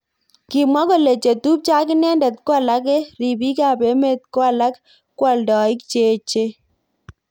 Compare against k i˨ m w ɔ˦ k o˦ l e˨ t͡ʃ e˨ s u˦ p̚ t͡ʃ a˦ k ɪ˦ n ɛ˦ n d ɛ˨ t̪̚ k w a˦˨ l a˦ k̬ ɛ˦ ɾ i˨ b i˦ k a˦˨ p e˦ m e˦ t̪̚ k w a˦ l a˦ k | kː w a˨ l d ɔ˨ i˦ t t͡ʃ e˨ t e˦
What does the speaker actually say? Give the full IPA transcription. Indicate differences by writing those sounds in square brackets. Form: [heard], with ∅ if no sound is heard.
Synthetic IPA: k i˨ m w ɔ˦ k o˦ l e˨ t͡ʃ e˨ [t] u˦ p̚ t͡ʃ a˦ k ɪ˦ n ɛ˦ n d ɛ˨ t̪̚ k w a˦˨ l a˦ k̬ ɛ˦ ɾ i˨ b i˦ k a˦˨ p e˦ m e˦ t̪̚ k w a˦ l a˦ k | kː w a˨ l d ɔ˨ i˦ [k] t͡ʃ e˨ [t͡ʃ] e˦